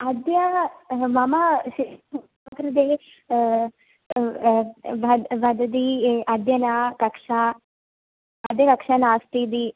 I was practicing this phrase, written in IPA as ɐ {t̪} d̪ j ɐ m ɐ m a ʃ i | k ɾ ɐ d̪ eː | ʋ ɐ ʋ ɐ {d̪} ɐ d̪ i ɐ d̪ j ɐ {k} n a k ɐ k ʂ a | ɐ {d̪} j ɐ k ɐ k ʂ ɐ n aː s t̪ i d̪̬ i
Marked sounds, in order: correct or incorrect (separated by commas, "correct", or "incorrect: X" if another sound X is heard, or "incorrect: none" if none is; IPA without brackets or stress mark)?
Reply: incorrect: none, correct, incorrect: none, correct